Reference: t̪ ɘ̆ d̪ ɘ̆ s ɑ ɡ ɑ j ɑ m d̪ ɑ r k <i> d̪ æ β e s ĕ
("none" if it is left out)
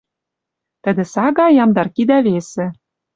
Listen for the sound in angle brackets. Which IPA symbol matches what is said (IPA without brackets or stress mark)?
i